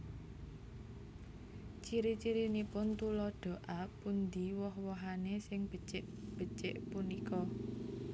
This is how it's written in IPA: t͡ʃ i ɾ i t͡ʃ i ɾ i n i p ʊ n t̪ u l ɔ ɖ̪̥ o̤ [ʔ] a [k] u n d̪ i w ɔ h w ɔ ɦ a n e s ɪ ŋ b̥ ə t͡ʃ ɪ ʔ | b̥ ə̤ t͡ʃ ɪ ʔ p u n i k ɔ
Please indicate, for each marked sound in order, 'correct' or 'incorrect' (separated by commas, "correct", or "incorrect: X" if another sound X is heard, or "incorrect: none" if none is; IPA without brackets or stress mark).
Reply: correct, incorrect: p